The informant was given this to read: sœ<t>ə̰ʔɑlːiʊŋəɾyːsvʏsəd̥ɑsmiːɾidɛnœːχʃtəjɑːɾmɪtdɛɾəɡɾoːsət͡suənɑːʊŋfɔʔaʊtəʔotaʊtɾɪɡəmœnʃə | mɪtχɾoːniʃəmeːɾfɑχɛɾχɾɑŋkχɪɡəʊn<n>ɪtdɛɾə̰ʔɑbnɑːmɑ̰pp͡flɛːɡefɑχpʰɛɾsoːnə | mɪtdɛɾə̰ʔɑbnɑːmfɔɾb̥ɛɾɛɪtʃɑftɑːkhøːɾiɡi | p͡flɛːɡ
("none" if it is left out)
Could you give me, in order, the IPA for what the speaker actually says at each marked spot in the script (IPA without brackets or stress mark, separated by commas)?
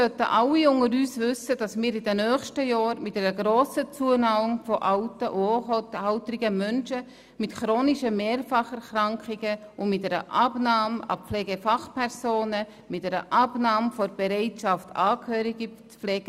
t, m